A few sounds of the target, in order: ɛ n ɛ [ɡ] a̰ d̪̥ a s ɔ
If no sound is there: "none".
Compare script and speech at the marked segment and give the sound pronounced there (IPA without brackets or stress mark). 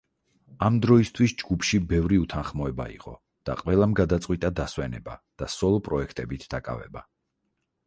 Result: b